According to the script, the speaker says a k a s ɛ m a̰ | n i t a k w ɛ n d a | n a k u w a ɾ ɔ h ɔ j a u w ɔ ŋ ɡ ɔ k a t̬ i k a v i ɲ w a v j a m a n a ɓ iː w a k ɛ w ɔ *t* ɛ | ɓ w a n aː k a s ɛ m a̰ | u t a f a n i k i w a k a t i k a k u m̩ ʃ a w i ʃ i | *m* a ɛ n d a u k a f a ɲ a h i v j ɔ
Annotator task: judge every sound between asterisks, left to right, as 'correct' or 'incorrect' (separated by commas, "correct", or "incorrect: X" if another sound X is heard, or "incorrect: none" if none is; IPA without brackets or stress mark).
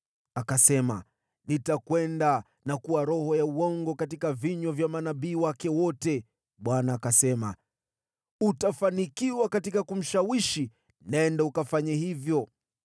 correct, incorrect: n